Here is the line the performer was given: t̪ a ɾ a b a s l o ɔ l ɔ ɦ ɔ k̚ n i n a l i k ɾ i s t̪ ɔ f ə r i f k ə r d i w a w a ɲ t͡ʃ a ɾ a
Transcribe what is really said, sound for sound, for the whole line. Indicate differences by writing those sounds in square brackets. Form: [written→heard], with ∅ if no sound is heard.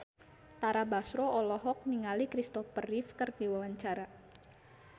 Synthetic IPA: t̪ a ɾ a b a s [l→ɾ] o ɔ l ɔ ɦ ɔ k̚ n i [n→ŋ] a l i k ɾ i s t̪ ɔ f ə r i f k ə r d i w a w a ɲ t͡ʃ a ɾ a